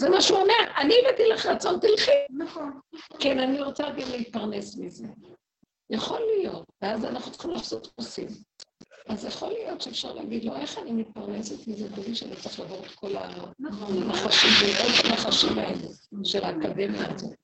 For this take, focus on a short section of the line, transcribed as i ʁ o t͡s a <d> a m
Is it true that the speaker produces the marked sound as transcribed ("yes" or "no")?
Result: no